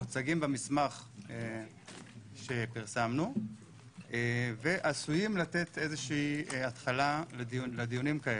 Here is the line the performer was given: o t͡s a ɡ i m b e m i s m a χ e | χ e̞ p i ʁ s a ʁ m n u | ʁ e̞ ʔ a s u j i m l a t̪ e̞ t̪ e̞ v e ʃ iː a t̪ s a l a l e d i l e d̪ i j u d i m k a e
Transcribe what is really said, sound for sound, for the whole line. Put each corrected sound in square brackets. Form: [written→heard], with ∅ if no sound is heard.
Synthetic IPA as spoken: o t͡s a ɡ i m b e m i s m a χ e | [χ→ʃ] e̞ p i ʁ s a [ʁ→∅] m n u | [ʁ→v] e̞ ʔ a s u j i m l a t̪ e̞ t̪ e̞ [v→z] e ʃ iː a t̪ [s→χ] a l a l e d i l e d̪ i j u [d→n] i m k a e